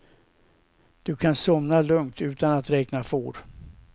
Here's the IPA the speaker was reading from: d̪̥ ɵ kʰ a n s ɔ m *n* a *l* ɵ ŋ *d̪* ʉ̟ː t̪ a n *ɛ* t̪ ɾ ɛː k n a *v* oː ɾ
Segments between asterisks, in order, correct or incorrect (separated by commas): correct, correct, incorrect, incorrect, incorrect